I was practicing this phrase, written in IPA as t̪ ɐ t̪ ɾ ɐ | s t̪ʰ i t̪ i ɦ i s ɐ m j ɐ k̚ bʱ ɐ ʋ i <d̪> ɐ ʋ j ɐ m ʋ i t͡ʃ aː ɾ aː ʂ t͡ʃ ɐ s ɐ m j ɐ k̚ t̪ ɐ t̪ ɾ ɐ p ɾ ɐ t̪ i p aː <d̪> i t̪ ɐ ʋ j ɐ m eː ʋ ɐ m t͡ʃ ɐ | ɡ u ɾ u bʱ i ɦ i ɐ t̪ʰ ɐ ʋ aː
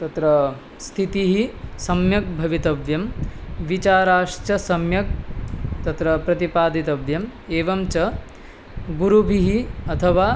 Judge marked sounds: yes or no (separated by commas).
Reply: no, yes